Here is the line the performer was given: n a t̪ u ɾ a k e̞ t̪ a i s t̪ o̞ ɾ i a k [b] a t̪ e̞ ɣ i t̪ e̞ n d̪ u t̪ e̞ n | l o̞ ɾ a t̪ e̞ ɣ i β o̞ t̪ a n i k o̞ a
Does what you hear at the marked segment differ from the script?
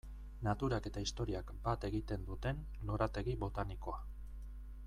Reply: no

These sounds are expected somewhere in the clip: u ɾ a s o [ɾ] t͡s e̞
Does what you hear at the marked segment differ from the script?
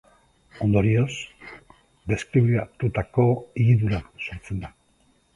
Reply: no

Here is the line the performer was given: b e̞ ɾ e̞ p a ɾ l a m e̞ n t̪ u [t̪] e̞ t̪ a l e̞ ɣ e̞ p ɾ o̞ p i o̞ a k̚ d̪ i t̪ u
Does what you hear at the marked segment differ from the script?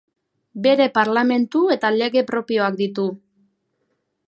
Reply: yes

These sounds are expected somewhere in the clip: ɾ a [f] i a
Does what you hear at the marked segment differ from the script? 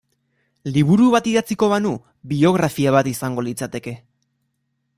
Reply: no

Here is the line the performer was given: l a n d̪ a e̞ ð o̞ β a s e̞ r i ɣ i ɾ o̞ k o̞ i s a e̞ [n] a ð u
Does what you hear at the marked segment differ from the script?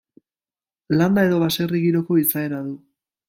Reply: no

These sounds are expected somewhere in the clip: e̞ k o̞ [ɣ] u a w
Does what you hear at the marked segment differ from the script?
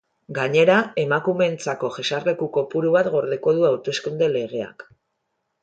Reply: yes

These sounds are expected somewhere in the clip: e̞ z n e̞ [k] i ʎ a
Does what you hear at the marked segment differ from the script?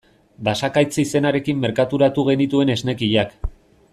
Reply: no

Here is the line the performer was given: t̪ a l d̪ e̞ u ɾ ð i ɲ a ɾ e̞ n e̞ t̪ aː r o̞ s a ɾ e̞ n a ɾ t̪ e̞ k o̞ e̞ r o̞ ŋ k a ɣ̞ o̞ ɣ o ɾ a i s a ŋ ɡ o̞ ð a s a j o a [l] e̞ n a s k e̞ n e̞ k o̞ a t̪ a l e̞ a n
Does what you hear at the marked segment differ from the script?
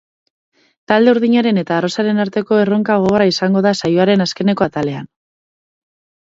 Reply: yes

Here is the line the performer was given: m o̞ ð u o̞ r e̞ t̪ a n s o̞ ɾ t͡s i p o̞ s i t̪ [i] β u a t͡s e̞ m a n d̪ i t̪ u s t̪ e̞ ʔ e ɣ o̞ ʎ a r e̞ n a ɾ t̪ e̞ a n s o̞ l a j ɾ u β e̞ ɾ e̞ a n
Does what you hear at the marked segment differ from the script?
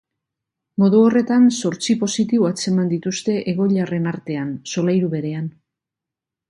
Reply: no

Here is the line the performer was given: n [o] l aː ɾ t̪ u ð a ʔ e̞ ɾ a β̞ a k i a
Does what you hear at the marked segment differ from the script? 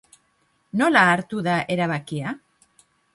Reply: no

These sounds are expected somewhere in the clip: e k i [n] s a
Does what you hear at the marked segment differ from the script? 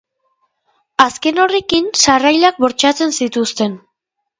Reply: no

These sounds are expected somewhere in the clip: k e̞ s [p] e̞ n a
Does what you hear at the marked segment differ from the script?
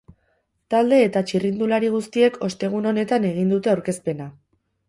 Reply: no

